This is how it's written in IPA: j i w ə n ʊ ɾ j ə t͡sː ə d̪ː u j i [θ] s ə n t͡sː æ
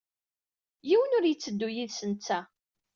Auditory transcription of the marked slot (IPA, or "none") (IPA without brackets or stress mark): ð